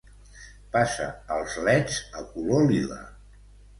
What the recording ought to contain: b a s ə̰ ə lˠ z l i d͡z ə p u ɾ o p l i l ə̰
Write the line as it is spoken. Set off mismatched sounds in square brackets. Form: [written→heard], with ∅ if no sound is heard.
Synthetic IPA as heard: [b→p] a s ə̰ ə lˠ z l [i→ɛ] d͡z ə [p→k] u [ɾ→l] o [p→∅] l i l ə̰